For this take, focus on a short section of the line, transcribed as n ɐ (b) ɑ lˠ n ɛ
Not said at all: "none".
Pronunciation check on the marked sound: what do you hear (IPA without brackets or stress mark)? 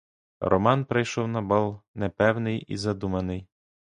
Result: b